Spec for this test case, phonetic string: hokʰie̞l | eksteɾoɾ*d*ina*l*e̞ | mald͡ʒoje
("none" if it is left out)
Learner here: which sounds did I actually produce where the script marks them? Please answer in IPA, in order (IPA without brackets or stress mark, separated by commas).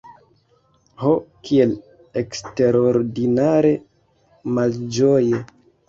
d, ɾ